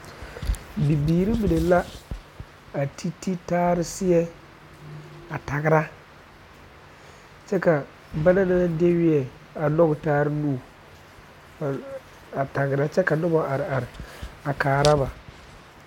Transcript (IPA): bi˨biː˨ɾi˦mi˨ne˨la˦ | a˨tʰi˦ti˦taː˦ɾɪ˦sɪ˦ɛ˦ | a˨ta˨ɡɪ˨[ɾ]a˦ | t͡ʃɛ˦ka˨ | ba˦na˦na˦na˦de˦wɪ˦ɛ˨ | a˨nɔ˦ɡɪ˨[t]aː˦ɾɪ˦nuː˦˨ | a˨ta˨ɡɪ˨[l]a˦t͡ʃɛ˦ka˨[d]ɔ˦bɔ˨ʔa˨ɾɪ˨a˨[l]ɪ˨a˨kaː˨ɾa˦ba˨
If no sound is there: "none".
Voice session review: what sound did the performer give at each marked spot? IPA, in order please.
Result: ɾ, t, ɾ, n, ɾ

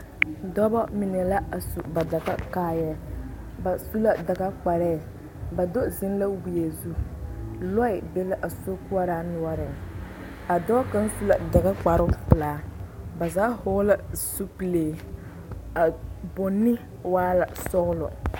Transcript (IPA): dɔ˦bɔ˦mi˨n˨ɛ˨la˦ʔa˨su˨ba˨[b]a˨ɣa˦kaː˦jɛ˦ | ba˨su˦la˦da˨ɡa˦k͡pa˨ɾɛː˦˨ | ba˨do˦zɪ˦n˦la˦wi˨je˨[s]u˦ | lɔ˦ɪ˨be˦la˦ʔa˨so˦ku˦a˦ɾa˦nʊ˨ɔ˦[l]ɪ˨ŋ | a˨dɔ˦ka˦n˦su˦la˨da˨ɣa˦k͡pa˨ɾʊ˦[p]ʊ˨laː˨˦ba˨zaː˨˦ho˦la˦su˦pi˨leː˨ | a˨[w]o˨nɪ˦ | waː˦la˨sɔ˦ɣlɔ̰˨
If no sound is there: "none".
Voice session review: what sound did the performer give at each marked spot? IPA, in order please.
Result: d, z, ɾ, p, b

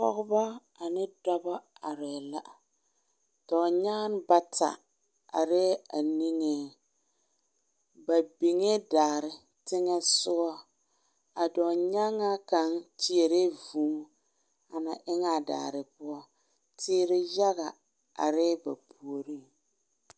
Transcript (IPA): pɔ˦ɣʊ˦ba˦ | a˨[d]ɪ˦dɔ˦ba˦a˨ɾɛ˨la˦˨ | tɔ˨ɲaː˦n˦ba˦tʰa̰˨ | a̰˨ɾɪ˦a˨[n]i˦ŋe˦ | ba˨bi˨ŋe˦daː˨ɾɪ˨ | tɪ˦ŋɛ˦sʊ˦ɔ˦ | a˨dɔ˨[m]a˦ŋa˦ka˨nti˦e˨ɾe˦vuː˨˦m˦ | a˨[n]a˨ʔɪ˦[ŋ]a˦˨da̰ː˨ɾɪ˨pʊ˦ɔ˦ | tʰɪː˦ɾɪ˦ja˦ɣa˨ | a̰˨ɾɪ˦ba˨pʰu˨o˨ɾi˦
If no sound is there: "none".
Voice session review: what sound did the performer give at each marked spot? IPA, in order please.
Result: n, n, ɲ, n, ŋ

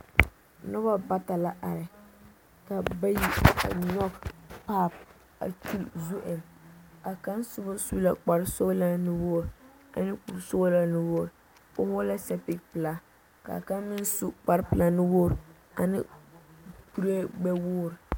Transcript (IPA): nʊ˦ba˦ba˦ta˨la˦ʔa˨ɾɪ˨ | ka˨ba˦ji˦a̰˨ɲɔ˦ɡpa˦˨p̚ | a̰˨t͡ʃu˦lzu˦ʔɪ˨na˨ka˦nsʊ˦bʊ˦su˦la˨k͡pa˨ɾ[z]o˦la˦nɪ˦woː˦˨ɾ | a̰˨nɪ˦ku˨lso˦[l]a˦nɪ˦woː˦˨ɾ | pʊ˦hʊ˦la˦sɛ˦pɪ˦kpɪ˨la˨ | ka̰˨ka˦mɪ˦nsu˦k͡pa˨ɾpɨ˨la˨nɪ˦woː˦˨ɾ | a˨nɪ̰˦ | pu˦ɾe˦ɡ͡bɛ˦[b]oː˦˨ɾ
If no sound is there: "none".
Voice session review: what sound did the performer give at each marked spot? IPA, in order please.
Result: s, l, w

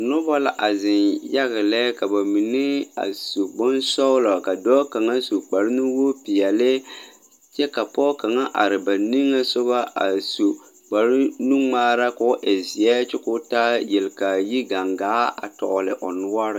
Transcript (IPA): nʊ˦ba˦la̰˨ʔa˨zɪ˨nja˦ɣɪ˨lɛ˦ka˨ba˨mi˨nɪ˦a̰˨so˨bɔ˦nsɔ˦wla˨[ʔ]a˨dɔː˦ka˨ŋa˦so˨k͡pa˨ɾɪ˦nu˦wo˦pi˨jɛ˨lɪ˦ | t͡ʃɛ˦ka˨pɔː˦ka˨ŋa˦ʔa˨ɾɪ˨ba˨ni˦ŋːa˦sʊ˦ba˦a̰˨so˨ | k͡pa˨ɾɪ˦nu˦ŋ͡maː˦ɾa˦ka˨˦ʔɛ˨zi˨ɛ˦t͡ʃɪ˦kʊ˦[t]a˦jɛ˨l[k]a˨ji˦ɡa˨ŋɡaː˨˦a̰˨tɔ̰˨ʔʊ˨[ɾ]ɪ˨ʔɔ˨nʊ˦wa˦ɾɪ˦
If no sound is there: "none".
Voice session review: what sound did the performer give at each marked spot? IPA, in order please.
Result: k, t, k, l

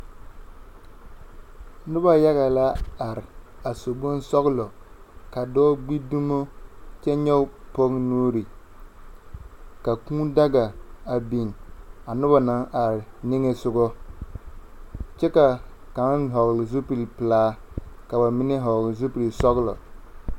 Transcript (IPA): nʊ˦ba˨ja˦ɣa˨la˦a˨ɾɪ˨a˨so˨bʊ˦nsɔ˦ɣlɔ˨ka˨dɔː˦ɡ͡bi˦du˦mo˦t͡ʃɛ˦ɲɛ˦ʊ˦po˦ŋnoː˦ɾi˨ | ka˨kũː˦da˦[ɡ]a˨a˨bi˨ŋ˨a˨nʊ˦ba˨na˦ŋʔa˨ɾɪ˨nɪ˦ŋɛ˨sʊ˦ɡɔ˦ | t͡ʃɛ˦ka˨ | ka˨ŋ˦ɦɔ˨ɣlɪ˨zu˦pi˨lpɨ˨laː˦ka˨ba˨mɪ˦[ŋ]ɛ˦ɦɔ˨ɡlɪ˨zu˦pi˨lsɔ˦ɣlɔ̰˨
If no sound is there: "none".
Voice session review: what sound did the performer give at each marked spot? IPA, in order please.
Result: ɡ, n

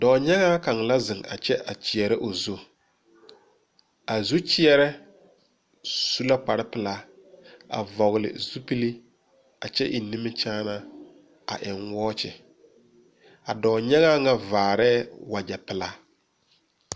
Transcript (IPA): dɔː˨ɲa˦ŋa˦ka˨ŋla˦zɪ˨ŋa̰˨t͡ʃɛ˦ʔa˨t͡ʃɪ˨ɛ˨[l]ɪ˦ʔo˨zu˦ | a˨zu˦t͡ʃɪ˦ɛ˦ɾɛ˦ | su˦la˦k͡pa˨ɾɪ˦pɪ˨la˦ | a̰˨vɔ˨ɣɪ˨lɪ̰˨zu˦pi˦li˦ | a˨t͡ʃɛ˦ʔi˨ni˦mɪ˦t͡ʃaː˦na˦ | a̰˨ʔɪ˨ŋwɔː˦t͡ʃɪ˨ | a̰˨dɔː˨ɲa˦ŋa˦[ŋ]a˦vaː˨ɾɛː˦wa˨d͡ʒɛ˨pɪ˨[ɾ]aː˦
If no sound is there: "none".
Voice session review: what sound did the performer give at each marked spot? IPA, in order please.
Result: ɾ, ŋ, l

